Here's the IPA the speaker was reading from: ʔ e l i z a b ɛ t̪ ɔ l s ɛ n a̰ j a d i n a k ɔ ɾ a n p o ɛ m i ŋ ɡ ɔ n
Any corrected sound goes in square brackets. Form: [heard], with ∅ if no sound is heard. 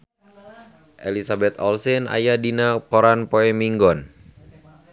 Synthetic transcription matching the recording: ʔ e l i [s] a b ɛ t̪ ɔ l s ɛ n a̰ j a d i n a k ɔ ɾ a n p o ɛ m i ŋ ɡ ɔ n